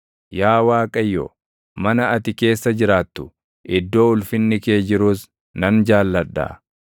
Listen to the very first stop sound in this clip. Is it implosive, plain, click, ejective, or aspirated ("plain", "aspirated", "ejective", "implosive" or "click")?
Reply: ejective